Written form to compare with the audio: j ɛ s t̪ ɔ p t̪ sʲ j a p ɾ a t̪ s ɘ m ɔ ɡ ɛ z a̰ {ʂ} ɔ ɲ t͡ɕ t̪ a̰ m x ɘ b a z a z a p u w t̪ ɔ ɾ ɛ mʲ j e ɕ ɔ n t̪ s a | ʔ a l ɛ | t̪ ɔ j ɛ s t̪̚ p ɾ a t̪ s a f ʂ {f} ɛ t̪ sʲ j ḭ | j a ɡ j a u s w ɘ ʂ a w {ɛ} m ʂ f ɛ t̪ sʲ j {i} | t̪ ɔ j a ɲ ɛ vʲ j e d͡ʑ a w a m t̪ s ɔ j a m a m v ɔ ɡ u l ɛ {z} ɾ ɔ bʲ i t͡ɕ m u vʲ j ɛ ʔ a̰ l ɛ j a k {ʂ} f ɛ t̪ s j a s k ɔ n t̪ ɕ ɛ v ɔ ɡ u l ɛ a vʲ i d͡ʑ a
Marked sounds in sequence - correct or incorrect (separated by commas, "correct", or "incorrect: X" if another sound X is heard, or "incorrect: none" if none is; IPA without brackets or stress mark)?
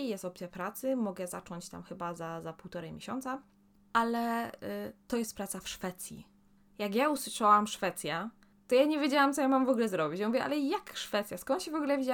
incorrect: t͡ʂ, correct, incorrect: a, incorrect: a, correct, correct